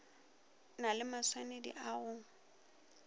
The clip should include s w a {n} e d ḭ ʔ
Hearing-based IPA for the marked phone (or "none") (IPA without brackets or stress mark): n